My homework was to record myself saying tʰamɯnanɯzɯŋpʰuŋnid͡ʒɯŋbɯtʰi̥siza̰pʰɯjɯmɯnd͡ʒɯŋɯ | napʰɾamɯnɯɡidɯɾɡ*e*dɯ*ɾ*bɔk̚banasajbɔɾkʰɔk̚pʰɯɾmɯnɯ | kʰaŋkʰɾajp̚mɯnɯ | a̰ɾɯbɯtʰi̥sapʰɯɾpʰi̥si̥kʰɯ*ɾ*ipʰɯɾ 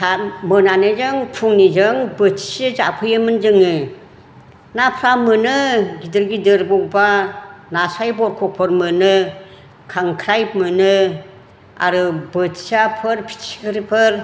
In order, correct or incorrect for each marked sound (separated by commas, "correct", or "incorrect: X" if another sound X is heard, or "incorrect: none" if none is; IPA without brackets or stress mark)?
incorrect: i, correct, correct